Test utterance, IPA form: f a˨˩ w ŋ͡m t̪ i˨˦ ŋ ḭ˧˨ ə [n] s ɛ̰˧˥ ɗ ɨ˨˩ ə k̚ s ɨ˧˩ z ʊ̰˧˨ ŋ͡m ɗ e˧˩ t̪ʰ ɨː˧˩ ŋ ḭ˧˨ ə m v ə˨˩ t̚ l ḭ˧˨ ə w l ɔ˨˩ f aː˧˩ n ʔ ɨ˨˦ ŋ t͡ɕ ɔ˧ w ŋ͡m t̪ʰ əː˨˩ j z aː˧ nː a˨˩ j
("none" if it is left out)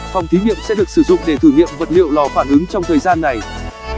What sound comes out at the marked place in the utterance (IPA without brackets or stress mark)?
m